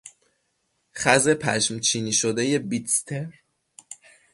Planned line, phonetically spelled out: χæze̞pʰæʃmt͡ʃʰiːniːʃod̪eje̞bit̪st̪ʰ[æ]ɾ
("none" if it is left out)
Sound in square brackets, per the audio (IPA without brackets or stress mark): e